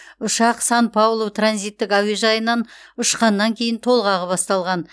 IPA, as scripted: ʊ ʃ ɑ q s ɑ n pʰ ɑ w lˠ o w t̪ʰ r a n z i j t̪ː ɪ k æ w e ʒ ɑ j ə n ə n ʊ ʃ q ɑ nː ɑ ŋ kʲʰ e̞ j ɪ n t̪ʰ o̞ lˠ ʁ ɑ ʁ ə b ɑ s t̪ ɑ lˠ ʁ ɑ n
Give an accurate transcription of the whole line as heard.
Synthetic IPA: ʊ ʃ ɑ q s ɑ n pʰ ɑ w lˠ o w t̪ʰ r a n z i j t̪ː ɪ k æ w e ʒ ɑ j ə n ɑ n ʊ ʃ q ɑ nː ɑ ŋ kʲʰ e̞ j ɪ n t̪ʰ o̞ lˠ ʁ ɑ ʁ ə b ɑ s t̪ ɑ lˠ ʁ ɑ n